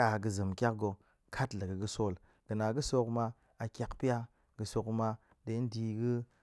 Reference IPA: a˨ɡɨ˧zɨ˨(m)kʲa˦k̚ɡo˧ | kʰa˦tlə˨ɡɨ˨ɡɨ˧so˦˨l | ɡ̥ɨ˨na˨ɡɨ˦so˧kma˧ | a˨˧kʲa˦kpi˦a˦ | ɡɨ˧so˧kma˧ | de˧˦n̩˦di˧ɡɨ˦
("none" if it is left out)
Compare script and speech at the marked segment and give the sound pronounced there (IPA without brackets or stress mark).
m